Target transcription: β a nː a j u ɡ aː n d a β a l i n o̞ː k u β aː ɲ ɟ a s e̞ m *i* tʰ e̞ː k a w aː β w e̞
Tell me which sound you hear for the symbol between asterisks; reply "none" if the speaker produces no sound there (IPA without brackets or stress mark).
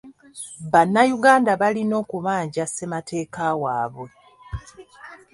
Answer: a